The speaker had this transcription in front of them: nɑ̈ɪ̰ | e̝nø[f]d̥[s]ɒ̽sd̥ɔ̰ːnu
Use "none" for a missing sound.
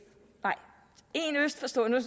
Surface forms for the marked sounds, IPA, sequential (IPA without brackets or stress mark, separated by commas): s, f